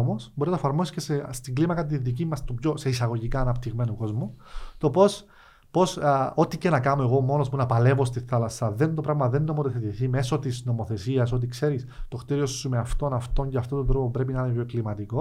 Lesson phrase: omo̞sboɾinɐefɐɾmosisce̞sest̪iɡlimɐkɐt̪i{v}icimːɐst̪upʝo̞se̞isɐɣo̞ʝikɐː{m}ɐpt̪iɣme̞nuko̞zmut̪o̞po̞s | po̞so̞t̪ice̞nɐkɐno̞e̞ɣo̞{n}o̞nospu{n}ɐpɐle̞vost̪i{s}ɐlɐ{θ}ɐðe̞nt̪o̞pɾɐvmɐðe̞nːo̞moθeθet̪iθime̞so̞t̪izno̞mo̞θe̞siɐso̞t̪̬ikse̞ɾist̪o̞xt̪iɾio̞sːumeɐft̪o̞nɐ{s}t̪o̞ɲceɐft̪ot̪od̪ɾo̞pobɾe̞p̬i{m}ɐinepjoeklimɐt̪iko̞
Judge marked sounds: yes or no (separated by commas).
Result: no, no, no, yes, no, no, no, no